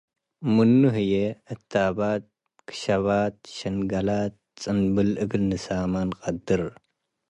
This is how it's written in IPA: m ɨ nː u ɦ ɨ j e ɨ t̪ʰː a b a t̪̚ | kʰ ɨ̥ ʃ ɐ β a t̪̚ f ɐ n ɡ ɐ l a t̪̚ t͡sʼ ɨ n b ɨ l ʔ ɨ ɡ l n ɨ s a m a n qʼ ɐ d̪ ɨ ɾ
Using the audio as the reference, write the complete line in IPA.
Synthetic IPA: m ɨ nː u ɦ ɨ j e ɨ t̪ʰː a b a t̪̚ | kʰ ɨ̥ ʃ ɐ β a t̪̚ ʃ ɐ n ɡ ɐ l a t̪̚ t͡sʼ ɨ n b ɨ l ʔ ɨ ɡ l n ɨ s a m a n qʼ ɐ d̪ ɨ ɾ